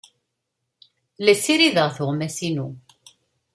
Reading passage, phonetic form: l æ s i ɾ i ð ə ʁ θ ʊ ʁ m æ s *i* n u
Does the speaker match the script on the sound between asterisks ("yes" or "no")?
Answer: yes